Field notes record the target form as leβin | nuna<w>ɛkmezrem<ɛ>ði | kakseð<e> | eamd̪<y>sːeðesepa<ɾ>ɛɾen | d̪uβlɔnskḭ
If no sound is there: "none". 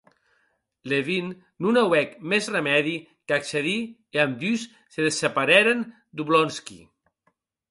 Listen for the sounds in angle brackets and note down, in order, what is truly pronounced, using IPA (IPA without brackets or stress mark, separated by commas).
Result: w, ɛ, i, y, ɾ